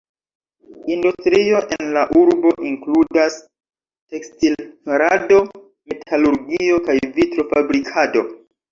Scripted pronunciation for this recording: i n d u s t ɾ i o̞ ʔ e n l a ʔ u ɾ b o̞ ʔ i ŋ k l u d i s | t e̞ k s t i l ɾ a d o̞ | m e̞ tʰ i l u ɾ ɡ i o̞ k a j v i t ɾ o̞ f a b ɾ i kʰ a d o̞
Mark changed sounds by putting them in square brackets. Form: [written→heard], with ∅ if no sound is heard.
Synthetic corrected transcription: i n d u s t ɾ i o̞ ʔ e n l a ʔ u ɾ b o̞ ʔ i ŋ k l u d [i→a] s | t e̞ k s t i l ɾ a d o̞ | m e̞ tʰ [i→a] l u ɾ ɡ i o̞ k a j v i t ɾ o̞ f a b ɾ i kʰ a d o̞

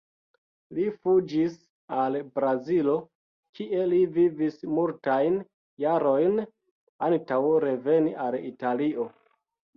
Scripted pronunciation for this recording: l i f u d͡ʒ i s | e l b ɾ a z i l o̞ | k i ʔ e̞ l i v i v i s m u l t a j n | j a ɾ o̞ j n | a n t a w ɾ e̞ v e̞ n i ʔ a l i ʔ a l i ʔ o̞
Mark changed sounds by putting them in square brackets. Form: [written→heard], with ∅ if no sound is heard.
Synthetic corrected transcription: l i f u d͡ʒ i s | [e→a] l b ɾ a z i l o̞ | k i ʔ e̞ l i v i v i s m u l t a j n | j a ɾ o̞ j n | a n t a w ɾ e̞ v e̞ n i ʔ a l i [ʔ→t] a l i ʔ o̞

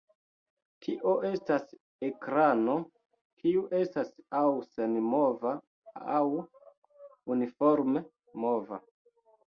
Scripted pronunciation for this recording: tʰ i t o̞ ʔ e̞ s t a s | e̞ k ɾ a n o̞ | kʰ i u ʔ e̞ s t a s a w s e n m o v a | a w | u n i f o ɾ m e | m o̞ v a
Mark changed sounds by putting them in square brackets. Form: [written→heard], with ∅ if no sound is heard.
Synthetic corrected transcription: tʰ i [t→ʔ] o̞ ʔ e̞ s t a s | e̞ k ɾ a n o̞ | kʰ i u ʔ e̞ s t a s a w s e n m o v a | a w | u n i f o ɾ m e | m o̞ v a

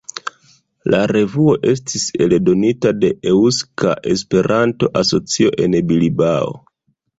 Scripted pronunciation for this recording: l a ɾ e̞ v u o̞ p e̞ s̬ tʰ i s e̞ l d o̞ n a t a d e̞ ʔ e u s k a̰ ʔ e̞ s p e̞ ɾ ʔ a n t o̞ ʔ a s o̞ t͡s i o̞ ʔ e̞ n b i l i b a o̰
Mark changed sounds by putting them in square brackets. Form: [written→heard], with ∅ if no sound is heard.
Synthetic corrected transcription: l a ɾ e̞ v u o̞ [p→ʔ] e̞ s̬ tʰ i s e̞ l d o̞ n [a→i] t a d e̞ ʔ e u s k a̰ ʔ e̞ s p e̞ ɾ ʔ a n t o̞ ʔ a s o̞ t͡s i o̞ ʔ e̞ n b i l i b a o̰

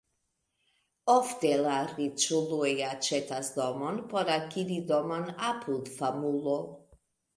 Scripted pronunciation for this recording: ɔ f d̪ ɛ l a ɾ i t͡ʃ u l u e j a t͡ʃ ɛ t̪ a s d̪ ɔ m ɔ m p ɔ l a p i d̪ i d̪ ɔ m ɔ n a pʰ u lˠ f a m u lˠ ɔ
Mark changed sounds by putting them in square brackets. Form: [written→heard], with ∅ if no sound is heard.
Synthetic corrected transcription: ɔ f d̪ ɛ l a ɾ i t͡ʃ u l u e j a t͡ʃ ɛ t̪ a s d̪ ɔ m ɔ [m→n] p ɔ [l→ɾ] a [p→k] i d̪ i d̪ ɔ m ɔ n a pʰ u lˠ f a m u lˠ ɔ

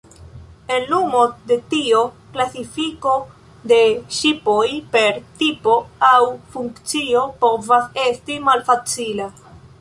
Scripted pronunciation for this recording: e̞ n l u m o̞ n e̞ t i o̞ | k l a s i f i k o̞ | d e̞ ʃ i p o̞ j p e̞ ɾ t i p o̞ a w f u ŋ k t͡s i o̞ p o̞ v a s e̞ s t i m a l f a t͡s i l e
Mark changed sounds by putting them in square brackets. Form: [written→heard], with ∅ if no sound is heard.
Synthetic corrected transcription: e̞ n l u m o̞ [n→d] e̞ t i o̞ | k l a s i f i k o̞ | d e̞ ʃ i p o̞ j p e̞ ɾ t i p o̞ a w f u ŋ k t͡s i o̞ p o̞ v a s e̞ s t i m a l f a t͡s i l [e→a]

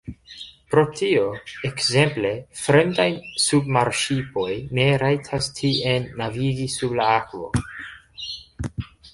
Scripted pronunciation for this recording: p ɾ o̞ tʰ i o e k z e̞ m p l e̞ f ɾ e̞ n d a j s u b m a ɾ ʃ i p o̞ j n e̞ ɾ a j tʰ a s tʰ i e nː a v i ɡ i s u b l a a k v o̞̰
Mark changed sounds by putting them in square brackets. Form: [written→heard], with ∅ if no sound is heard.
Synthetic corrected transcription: p ɾ o̞ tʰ i o e k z e̞ m p l e̞ f ɾ e̞ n d a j s u b m a ɾ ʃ i p o̞ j n e̞ ɾ a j tʰ a s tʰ i e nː a v i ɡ i s u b l a a k v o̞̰

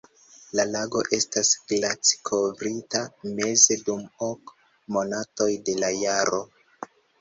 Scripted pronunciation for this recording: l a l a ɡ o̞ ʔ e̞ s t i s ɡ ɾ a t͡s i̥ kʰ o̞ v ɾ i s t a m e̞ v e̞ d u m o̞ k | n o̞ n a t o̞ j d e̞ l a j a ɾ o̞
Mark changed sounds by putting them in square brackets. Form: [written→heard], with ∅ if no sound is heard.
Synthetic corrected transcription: l a l a ɡ o̞ ʔ e̞ s t [i→a] s ɡ [ɾ→l] a t͡s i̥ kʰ o̞ v ɾ i [s→∅] t a m e̞ [v→z] e̞ d u m o̞ k | [n→m] o̞ n a t o̞ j d e̞ l a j a ɾ o̞

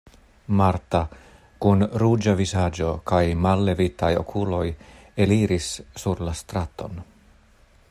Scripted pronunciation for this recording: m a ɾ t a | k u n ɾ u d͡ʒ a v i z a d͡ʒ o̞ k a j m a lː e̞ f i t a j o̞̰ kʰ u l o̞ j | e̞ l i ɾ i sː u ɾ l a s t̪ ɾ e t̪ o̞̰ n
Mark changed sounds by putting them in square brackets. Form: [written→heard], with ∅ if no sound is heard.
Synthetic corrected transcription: m a ɾ t a | k u n ɾ u d͡ʒ a v i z a d͡ʒ o̞ k a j m a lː e̞ [f→v] i t a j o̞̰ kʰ u l o̞ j | e̞ l i ɾ i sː u ɾ l a s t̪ ɾ [e→a] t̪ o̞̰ n

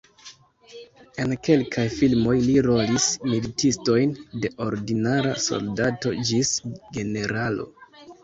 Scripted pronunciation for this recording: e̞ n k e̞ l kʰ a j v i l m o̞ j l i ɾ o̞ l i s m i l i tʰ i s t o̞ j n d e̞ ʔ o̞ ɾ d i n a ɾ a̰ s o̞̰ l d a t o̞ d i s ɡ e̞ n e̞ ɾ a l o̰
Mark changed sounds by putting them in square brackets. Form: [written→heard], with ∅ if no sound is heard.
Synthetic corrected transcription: e̞ n k e̞ l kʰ a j [v→f] i l m o̞ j l i ɾ o̞ l i s m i l i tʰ i s t o̞ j n d e̞ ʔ o̞ ɾ d i n a ɾ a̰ s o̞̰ l d a t o̞ [d→d͡ʒ] i s ɡ e̞ n e̞ ɾ a l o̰

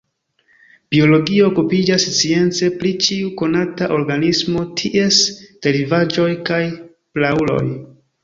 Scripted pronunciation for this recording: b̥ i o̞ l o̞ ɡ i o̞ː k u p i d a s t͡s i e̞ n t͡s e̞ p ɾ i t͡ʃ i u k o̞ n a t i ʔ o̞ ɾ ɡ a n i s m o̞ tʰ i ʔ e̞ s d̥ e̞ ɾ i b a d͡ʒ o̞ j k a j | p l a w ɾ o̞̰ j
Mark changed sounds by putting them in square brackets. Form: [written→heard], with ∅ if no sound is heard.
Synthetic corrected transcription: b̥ i o̞ l o̞ ɡ i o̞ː k u p i [d→d͡ʒ] a s t͡s i e̞ n t͡s e̞ p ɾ i t͡ʃ i u k o̞ n a t [i→a] ʔ o̞ ɾ ɡ a n i s m o̞ tʰ i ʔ e̞ s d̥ e̞ ɾ i [b→v] a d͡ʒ o̞ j k a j | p l a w [ɾ→l] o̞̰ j

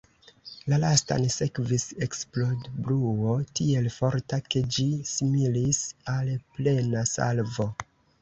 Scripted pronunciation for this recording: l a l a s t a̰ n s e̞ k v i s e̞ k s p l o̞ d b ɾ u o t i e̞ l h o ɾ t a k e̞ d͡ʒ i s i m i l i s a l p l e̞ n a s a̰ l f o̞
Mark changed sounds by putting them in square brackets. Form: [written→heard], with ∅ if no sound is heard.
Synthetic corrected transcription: l a l a s t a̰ n s e̞ k v i s e̞ k s p l o̞ d b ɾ u o t i e̞ l [h→f] o ɾ t a k e̞ d͡ʒ i s i m i l i s a l p l e̞ n a s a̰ l [f→v] o̞

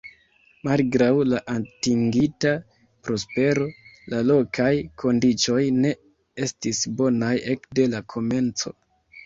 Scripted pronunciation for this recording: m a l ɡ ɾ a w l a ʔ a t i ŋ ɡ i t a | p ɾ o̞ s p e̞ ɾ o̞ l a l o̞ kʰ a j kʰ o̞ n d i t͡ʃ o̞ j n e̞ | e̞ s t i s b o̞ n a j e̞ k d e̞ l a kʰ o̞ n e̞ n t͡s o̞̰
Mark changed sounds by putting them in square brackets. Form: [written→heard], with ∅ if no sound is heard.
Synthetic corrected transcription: m a l ɡ ɾ a w l a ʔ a t i ŋ ɡ i t a | p ɾ o̞ s p e̞ ɾ o̞ l a l o̞ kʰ a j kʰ o̞ n d i t͡ʃ o̞ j n e̞ | e̞ s t i s b o̞ n a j e̞ k d e̞ l a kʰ o̞ [n→m] e̞ n t͡s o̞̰

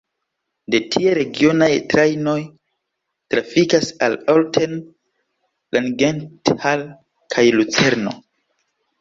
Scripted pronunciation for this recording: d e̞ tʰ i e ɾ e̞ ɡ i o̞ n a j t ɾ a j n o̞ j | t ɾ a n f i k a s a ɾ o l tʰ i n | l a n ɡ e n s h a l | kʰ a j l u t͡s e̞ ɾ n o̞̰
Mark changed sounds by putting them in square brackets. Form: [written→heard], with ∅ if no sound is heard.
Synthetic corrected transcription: d e̞ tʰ i e ɾ e̞ ɡ i o̞ n a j t ɾ a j n o̞ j | t ɾ a [n→∅] f i k a s a [ɾ→l] o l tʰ [i→e] n | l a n ɡ e n [s→t] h a l | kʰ a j l u t͡s e̞ ɾ n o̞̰

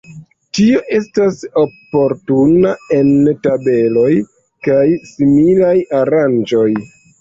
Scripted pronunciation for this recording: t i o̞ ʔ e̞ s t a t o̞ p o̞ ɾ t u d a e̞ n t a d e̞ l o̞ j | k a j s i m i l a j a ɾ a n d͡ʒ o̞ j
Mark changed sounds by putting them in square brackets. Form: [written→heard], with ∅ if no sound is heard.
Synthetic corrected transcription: t i o̞ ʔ e̞ s t a [t→s] o̞ p o̞ ɾ t u [d→n] a e̞ n t a [d→b] e̞ l o̞ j | k a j s i m i l a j a ɾ a n d͡ʒ o̞ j

